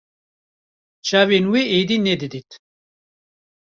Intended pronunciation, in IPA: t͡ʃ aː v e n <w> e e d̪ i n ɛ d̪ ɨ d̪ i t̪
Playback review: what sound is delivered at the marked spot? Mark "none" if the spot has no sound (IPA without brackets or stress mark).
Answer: w